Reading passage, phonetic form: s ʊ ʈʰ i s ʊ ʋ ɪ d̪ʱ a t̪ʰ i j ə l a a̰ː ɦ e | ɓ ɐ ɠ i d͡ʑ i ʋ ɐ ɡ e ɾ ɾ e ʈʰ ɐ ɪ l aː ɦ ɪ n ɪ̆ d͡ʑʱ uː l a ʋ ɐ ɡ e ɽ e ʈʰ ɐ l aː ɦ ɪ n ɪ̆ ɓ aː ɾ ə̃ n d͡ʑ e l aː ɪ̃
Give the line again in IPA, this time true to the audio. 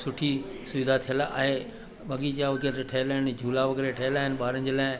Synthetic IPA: s ʊ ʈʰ i s ʊ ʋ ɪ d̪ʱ a t̪ʰ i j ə l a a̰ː ɦ e | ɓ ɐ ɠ i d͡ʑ a ʋ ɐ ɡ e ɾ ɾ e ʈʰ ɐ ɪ l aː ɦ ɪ n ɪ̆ d͡ʑʱ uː l a ʋ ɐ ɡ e ɾ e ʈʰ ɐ l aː ɦ ɪ n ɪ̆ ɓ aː ɾ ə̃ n d͡ʑ e l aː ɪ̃